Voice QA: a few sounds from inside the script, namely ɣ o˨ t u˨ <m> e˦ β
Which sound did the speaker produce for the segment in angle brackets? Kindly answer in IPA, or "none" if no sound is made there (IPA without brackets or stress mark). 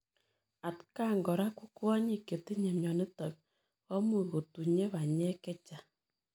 ɲ